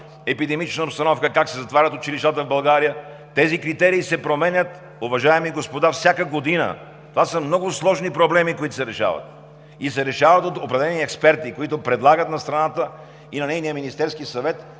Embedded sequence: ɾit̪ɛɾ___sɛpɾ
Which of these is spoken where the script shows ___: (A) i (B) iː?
B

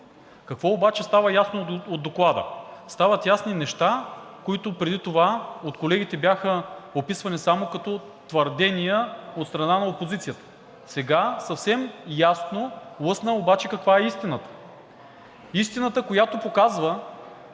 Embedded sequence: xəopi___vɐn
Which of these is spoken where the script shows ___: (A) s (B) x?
A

